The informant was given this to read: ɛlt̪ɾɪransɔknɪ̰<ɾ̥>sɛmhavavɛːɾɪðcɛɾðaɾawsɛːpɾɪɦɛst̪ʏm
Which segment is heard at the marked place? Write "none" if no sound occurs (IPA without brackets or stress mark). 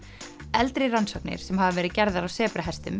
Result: ɾ̥